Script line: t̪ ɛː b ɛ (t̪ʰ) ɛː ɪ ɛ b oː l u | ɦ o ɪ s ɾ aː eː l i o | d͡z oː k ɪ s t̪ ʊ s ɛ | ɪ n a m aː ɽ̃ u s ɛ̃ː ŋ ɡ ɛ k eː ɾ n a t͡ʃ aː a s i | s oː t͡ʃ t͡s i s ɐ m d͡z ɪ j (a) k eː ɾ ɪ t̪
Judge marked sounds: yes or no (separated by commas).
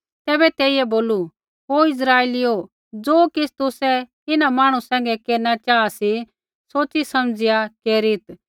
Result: no, yes